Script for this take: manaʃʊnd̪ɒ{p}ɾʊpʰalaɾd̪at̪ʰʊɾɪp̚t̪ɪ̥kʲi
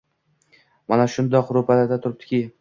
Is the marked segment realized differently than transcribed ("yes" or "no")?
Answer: yes